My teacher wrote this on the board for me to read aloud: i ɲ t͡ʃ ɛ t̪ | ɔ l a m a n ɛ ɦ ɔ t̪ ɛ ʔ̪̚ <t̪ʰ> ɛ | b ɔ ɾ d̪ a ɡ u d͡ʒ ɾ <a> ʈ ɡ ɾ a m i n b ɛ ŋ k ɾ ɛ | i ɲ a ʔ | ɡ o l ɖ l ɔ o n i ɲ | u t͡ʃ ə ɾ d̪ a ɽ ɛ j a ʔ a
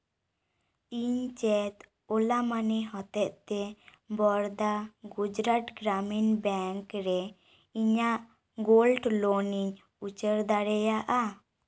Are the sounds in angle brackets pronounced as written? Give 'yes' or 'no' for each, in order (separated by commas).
no, yes